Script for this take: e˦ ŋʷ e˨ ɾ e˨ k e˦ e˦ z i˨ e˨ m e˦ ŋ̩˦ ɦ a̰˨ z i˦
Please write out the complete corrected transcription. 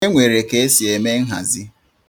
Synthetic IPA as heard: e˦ ŋʷ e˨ ɾ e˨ k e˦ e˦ s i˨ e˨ m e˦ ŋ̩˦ ɦ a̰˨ z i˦